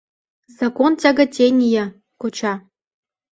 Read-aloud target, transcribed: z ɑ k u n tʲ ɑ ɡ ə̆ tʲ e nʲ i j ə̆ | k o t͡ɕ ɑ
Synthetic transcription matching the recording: z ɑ k o n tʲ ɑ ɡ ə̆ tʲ e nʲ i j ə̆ | k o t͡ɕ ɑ